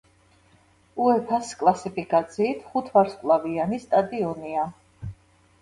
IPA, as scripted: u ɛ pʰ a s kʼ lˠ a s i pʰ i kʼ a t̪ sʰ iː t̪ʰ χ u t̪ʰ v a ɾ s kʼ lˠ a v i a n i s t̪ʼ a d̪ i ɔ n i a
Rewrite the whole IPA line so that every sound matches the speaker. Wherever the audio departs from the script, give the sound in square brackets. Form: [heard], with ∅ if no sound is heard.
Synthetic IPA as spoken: u ɛ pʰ a s kʼ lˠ a s i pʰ i kʼ a t̪ sʰ iː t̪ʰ χ u t̪ʰ v a ɾ s kʼ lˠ a v i a n i s t̪ʼ a d̪ i ɔ n i a

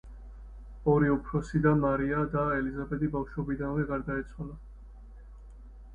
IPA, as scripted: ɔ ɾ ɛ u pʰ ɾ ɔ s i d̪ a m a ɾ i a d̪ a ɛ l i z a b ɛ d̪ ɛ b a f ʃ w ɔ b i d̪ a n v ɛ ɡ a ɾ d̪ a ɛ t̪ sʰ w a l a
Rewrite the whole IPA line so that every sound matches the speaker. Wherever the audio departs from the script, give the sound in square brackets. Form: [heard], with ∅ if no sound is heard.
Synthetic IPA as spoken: ɔ ɾ [i] u pʰ ɾ ɔ s i d̪ a m a ɾ i a d̪ a ɛ l i z a b ɛ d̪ [i] b a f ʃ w ɔ b i d̪ a n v ɛ ɡ a ɾ d̪ a ɛ t̪ sʰ w a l a

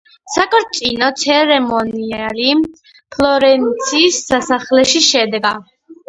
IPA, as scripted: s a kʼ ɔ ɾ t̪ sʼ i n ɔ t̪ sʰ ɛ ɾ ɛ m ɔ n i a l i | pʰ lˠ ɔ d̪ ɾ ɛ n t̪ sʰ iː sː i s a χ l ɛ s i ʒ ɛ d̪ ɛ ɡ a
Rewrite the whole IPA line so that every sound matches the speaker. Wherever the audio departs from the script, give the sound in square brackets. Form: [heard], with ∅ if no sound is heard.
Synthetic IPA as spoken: s a kʼ ɔ ɾ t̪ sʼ i n ɔ t̪ sʰ ɛ ɾ ɛ m ɔ n i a l i | pʰ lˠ ɔ [∅] ɾ ɛ n t̪ sʰ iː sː [a] s a χ l ɛ [ʃ] i [ʃ] ɛ d̪ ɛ ɡ a

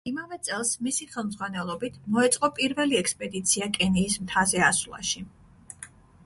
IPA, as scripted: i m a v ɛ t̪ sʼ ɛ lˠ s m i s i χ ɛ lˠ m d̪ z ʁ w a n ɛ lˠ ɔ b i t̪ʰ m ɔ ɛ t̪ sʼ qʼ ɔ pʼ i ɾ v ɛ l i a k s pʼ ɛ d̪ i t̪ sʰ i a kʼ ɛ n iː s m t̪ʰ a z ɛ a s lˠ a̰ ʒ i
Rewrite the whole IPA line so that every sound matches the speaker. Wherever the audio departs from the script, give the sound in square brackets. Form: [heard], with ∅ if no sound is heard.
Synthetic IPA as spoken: i m a v ɛ t̪ sʼ ɛ lˠ s m i s i χ ɛ lˠ m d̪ z ʁ w a n ɛ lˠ ɔ b i t̪ʰ m ɔ ɛ t̪ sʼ qʼ ɔ pʼ i ɾ v ɛ l i [ɛ] k s pʼ ɛ d̪ i t̪ sʰ i a kʼ ɛ n iː s m t̪ʰ a z ɛ a s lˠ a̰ [ʃ] i

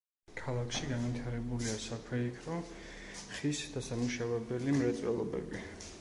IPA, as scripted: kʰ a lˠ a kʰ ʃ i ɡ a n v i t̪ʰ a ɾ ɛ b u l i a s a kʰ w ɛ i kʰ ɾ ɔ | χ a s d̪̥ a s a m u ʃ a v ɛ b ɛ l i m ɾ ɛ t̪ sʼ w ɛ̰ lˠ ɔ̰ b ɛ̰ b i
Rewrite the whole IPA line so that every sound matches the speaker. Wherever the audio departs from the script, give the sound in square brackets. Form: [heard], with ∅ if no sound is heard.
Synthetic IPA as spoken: kʰ a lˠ a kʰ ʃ i ɡ a n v i t̪ʰ a ɾ ɛ b u l i a s a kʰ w ɛ i kʰ ɾ ɔ | χ [i] s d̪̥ a s a m u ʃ a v ɛ b ɛ l i m ɾ ɛ t̪ sʼ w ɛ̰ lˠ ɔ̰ b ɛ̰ b i

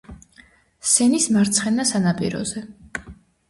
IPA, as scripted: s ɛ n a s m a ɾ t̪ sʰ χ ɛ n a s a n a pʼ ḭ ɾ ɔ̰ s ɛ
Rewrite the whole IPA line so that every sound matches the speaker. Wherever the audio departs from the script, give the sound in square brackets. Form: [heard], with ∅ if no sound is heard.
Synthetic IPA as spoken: s ɛ n [i] s m a ɾ t̪ sʰ χ ɛ n a s a n a pʼ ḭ ɾ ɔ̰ [z] ɛ

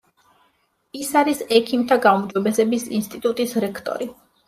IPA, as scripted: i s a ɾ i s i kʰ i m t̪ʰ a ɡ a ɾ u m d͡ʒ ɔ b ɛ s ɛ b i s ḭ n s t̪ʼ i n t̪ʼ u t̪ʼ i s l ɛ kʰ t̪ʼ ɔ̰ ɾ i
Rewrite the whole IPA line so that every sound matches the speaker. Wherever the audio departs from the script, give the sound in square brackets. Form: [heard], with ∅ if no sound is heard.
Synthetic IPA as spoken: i s a ɾ i s [ɛ] kʰ i m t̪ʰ a ɡ a [∅] u m d͡ʒ ɔ b ɛ s ɛ b i s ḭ n s t̪ʼ i [∅] t̪ʼ u t̪ʼ i s [ɾ] ɛ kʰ t̪ʼ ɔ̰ ɾ i

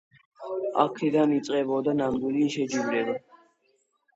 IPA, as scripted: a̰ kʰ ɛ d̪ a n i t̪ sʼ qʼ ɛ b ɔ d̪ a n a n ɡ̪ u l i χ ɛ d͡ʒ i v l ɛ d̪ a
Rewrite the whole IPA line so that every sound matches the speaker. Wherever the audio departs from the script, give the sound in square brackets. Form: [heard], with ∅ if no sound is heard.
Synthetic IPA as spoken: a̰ kʰ ɛ d̪ a n i t̪ sʼ qʼ ɛ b ɔ d̪ a n a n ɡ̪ u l i [ʃ] ɛ d͡ʒ i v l ɛ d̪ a

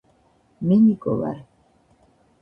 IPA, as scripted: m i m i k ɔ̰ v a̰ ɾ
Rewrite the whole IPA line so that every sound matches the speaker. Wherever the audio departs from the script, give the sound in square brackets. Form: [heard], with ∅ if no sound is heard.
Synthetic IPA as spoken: m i [n] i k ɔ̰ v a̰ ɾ

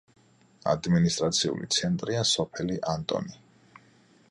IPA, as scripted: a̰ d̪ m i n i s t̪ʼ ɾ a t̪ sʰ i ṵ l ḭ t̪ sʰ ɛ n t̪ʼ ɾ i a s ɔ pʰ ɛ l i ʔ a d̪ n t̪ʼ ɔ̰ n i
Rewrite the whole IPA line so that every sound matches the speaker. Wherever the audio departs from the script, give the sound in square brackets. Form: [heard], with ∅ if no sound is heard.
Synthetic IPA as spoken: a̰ d̪ m i n i s t̪ʼ ɾ a t̪ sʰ i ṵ l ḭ t̪ sʰ ɛ n t̪ʼ ɾ i a s ɔ pʰ ɛ l i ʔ a [∅] n t̪ʼ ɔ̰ n i

